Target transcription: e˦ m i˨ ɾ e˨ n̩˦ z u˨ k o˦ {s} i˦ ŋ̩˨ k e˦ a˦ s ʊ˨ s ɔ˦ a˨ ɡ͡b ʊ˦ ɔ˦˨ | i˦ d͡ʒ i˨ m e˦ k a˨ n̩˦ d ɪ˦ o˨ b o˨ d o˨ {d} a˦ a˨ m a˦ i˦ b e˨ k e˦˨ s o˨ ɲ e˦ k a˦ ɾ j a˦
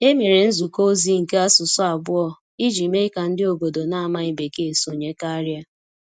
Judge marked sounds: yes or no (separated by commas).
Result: no, no